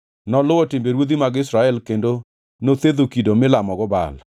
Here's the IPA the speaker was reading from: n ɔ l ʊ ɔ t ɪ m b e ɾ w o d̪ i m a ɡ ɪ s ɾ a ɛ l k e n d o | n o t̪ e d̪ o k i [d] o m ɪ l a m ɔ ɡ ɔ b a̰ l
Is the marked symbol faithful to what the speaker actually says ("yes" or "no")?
yes